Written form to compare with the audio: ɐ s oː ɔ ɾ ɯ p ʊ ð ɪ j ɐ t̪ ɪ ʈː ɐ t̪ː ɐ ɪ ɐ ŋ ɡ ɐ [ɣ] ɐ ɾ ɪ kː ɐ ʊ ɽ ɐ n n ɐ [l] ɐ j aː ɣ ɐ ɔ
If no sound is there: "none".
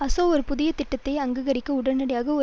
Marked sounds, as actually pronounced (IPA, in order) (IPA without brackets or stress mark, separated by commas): ɣ, ɽ